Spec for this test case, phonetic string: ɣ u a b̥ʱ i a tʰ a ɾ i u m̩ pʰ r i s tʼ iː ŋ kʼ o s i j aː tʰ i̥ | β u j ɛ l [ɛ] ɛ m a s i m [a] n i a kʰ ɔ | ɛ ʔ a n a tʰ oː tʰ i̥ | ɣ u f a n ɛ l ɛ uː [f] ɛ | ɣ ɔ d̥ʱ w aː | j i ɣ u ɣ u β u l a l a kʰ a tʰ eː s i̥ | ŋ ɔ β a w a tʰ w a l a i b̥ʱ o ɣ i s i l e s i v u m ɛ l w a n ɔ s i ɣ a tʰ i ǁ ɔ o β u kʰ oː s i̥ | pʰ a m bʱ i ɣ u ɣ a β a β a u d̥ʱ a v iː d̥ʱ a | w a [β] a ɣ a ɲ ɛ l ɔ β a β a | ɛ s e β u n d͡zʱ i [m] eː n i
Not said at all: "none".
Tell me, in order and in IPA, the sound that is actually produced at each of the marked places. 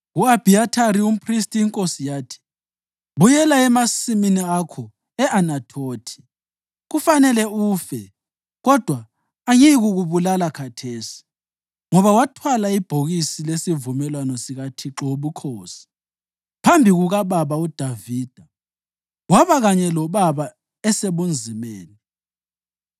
a, i, f, β, m

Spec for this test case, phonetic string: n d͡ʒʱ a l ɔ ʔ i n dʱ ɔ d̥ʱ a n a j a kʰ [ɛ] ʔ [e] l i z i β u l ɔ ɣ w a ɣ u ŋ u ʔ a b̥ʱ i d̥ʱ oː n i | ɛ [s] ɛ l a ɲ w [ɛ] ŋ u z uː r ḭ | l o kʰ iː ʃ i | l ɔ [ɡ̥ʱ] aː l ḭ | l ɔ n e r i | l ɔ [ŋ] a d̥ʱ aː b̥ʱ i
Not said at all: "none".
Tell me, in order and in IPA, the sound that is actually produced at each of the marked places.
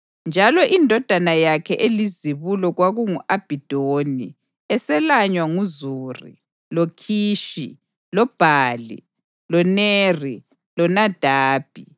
ɛ, e, s, a, b̥ʱ, n

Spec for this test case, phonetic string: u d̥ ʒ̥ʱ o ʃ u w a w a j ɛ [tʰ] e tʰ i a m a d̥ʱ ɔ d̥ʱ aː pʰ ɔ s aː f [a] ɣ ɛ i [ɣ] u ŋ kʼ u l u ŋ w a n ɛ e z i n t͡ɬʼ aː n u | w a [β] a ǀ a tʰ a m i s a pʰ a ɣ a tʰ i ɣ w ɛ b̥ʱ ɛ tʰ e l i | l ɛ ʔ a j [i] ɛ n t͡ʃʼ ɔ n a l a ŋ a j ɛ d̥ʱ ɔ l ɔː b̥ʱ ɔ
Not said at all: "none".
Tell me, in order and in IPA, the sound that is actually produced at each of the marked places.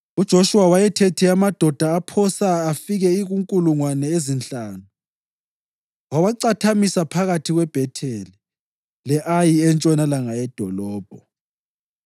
tʰ, i, ɣ, w, i

